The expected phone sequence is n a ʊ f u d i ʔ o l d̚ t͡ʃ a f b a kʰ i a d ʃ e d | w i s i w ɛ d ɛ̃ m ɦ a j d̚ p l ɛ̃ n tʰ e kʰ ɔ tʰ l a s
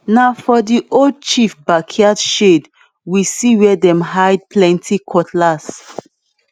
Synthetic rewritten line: n a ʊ f ɔ d i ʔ o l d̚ t͡ʃ i f b a kʰ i a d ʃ e d | w i s i w ɛ d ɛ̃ m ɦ a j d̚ p l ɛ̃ n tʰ i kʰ ɔ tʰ l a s